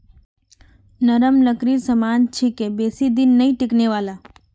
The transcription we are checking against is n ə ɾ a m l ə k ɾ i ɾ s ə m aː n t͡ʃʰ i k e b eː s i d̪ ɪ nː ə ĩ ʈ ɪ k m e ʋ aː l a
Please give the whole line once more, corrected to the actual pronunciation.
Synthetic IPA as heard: n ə ɾ ə m l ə k ɾ i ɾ s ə m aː n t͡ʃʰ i k e b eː s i d̪ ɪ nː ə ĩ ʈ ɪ k n e ʋ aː l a

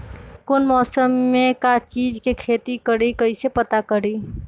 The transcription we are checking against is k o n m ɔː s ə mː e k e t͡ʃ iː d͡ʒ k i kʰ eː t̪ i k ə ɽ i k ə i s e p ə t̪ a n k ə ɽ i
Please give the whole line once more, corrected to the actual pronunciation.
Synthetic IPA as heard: k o n m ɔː s ə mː e k a t͡ʃ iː d͡ʒ k e kʰ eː t̪ i k ə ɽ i k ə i s e p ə t̪ a k ə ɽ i

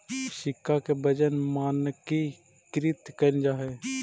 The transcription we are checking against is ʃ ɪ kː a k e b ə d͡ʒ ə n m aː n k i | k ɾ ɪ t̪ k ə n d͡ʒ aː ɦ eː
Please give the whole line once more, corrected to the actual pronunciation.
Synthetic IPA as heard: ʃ ɪ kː a k e b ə d͡ʒ ə n m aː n k i | k ɾ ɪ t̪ k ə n d͡ʒ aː ɦ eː

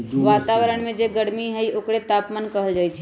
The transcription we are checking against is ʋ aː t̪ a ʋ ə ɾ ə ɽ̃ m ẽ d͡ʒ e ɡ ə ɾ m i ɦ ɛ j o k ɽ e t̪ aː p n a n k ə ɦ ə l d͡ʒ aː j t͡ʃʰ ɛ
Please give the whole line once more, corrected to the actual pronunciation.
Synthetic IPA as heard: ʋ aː t̪ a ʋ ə ɾ ə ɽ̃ m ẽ d͡ʒ e ɡ ə ɽ m i ɦ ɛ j o k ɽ e t̪ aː p m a n k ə ɦ ə l d͡ʒ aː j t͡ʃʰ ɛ

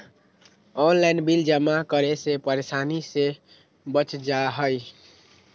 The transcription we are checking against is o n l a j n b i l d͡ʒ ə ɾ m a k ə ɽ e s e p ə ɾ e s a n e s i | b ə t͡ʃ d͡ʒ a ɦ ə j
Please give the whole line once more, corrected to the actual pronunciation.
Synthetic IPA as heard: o n l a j n b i l d͡ʒ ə m a k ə ɾ e s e p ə ɾ e s a n i s e | b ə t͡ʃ d͡ʒ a ɦ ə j

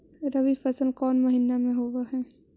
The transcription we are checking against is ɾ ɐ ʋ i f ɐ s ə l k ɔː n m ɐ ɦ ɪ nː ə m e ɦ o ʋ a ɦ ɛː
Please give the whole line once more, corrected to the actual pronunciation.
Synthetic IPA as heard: ɾ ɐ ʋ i f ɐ s ə l k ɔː n m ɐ ɦ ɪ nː a m ẽ ɦ o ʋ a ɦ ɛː

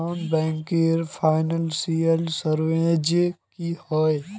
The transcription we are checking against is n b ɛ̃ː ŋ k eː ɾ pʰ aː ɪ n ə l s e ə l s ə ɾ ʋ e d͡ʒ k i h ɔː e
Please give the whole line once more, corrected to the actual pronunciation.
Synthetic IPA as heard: n b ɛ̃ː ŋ k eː ɾ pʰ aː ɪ n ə l s i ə l s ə ɾ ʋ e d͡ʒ k i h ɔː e

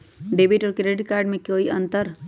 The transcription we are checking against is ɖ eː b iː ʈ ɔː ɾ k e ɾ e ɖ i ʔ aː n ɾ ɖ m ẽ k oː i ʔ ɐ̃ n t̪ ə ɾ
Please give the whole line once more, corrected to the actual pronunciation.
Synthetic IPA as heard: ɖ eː b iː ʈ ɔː ɾ k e ɾ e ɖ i k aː ɾ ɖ m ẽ k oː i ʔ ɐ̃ n t̪ ə ɾ

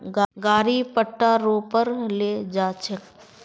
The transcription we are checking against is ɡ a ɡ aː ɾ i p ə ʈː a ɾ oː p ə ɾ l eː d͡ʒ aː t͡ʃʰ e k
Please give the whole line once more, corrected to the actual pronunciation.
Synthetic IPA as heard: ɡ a ɡ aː ɾ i p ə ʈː a ɾ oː p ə ɾ l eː d͡ʒ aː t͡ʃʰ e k

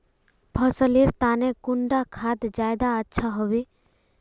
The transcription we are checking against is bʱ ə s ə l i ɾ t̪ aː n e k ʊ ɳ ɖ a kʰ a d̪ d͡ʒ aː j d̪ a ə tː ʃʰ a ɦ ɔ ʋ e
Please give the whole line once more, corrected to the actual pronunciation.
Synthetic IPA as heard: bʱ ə s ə l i ɾ t̪ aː n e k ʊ ɳ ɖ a kʰ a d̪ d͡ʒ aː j d̪ a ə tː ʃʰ a ɦ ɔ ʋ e

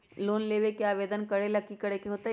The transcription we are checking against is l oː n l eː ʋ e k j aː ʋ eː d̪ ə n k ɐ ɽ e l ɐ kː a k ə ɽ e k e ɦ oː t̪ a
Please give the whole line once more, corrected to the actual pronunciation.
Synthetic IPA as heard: l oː n l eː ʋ e k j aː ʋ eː d̪ ə n k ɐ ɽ e l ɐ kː i k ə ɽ e k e ɦ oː t̪ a

